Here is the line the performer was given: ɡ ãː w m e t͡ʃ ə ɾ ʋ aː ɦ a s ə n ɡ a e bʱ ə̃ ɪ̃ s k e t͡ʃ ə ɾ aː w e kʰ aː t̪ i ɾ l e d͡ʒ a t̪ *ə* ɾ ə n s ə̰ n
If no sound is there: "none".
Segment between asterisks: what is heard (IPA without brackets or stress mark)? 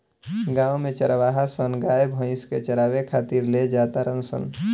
a